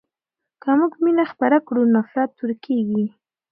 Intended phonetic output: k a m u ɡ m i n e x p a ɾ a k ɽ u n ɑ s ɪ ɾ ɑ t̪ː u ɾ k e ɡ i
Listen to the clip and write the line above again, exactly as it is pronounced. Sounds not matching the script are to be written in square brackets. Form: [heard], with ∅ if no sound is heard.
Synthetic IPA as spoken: k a m u ɡ m i n [a] x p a ɾ a k ɽ u n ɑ [f] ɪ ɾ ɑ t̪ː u ɾ k e ɡ i